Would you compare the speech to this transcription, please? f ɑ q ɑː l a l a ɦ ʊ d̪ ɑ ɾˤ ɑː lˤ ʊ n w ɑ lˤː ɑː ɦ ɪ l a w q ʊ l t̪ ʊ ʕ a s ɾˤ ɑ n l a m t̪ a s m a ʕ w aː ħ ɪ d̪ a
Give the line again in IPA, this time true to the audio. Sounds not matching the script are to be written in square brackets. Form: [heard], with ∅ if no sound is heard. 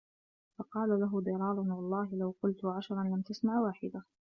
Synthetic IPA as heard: f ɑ q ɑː l a l a ɦ ʊ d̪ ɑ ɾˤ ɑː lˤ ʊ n w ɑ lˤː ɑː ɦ ɪ l a w q ʊ l t̪ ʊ ʕ a [ʃ] ɾˤ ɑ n l a m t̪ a s m a ʕ w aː ħ ɪ d̪ a